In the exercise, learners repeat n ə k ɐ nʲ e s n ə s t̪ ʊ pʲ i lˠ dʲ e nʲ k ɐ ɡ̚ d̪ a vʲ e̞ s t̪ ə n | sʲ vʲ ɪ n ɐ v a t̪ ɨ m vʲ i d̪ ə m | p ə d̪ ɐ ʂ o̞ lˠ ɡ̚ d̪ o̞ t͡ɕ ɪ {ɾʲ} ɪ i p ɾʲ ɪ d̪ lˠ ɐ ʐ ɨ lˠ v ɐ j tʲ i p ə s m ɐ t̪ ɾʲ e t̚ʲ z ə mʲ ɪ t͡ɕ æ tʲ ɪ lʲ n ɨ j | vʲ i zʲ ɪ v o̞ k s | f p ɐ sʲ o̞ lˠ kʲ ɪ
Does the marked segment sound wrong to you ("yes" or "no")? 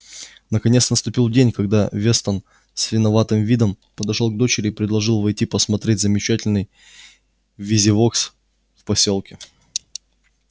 no